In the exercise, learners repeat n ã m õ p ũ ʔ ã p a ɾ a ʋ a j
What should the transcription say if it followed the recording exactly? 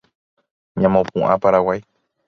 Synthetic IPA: ɲ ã m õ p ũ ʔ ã p a ɾ a w a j